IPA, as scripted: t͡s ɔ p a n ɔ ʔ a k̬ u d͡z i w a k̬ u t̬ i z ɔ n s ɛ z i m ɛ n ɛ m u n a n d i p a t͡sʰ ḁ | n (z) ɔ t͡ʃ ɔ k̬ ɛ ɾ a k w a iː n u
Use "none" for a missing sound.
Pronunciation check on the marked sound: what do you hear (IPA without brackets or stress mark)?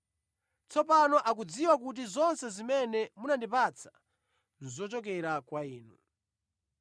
z